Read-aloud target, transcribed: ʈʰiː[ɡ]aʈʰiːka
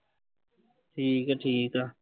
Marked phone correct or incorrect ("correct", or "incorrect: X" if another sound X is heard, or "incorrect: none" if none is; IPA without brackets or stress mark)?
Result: incorrect: k